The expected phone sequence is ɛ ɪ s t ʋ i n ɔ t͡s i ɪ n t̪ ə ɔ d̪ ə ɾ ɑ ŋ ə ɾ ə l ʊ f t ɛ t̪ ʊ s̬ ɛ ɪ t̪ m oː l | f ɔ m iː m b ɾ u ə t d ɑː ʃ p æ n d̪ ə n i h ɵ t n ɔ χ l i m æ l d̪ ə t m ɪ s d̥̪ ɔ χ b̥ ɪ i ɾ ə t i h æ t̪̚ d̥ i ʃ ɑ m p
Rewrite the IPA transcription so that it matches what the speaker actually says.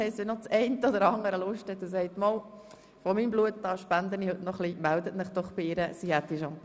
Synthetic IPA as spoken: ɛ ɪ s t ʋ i n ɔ t͡s ɛ ɪ n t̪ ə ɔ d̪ ə ɾ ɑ ŋ ə ɾ ə l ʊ ʃ t ɛ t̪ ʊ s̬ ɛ ɪ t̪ m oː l | f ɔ m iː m b l u ə t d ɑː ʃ p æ n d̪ ə n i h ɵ t n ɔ χ l i m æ l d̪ ə t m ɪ χ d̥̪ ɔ χ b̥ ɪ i ɾ ə s i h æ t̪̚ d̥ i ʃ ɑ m p